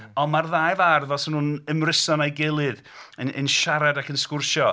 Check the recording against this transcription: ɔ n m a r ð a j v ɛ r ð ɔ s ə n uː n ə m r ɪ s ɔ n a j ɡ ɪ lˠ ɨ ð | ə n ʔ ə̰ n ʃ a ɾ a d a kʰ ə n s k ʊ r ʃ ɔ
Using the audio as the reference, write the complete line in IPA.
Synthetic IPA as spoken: ɔ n m a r ð a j v a r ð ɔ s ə n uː n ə m r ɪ s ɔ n a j ɡ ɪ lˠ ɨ ð | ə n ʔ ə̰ n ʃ a ɾ a d a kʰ ə n s k ʊ r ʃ ɔ